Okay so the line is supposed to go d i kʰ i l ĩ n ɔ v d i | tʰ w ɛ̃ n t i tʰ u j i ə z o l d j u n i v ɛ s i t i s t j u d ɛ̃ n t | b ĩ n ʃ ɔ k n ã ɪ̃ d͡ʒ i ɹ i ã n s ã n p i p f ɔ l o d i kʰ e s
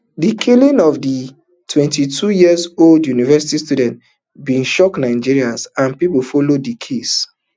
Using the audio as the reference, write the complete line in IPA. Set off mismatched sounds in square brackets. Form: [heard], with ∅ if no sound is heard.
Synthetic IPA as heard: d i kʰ i l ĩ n ɔ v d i | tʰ w ɛ̃ n t i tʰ u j i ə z o l d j u n i v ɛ s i t i s t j u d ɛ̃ n t | b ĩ n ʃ ɔ k n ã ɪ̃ d͡ʒ i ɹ i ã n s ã n p i p f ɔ l o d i kʰ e s